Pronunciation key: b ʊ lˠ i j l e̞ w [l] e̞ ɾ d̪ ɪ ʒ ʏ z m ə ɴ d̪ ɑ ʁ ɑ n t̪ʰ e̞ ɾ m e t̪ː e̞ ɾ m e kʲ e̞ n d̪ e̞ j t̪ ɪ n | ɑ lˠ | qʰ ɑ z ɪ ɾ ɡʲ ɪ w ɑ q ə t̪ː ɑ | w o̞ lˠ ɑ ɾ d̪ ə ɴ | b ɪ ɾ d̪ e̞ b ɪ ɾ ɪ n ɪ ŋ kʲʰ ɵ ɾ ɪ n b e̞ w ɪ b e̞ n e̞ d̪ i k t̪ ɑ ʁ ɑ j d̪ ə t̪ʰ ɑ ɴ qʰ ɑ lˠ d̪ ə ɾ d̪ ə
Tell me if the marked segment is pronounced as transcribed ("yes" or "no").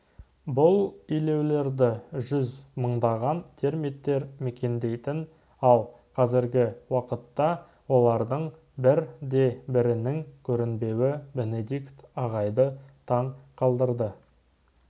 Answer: yes